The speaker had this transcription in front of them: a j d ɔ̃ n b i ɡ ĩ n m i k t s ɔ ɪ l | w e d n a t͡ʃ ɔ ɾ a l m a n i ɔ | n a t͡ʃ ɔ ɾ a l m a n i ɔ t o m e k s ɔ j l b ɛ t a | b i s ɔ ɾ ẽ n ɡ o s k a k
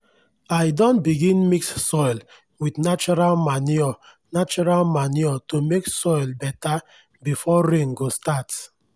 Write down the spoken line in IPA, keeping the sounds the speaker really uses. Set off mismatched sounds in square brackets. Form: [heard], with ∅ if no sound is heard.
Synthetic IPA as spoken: a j d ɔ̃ n b i ɡ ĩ n m i k [s] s ɔ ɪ l | w [i] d n a t͡ʃ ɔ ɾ a l m a n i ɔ | n a t͡ʃ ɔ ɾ a l m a n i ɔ t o m e k s ɔ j l b ɛ t a | b i [f] ɔ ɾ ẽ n ɡ o s [t] a [t]